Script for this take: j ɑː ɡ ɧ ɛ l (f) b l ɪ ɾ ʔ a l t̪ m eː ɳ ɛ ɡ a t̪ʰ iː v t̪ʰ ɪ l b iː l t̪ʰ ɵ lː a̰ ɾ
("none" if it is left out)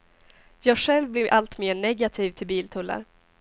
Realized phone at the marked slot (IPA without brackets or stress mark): v